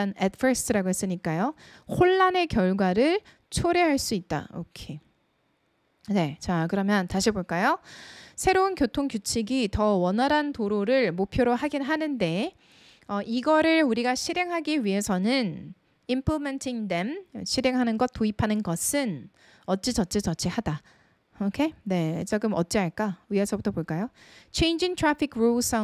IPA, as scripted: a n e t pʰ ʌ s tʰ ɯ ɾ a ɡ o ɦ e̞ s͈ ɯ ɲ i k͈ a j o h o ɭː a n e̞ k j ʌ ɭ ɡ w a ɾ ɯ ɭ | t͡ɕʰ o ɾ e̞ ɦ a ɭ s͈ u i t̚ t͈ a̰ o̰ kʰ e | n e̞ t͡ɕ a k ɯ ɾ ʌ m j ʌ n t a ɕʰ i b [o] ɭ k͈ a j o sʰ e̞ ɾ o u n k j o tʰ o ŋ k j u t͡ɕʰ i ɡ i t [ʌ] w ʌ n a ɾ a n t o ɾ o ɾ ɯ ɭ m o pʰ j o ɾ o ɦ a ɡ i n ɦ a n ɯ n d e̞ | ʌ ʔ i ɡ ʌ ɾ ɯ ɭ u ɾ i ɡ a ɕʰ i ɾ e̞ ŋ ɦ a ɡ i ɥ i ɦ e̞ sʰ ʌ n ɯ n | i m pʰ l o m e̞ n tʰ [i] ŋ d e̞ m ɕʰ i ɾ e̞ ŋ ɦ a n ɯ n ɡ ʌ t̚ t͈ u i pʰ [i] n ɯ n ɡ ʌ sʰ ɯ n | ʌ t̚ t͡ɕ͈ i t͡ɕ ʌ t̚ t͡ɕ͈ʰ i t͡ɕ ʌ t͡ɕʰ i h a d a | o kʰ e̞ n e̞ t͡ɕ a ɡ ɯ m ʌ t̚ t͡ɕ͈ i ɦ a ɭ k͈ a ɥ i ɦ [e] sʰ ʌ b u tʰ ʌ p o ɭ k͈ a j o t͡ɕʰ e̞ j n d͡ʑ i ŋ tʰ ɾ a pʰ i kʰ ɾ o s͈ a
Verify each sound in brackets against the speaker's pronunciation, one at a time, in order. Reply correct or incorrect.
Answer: correct, correct, correct, incorrect: a, correct

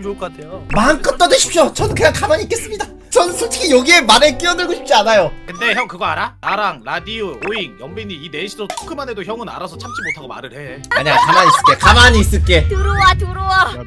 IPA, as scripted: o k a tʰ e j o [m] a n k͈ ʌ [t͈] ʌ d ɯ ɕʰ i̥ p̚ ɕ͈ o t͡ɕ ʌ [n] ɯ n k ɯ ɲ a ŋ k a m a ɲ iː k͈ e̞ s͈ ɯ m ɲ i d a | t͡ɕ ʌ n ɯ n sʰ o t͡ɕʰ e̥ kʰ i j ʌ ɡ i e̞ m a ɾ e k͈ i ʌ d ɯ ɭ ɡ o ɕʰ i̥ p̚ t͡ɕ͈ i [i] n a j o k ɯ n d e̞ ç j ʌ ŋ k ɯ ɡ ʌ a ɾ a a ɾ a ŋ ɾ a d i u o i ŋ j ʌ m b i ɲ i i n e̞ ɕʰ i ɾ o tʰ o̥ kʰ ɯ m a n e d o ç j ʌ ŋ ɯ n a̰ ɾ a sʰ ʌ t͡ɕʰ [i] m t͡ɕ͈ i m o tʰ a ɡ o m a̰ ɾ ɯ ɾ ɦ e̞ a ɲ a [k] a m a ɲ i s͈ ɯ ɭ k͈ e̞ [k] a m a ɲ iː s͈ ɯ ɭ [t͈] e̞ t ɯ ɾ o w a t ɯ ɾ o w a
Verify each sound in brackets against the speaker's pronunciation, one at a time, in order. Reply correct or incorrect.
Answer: correct, correct, correct, incorrect: a, incorrect: a, correct, correct, incorrect: k͈

